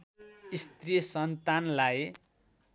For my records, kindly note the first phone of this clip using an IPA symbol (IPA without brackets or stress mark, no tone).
i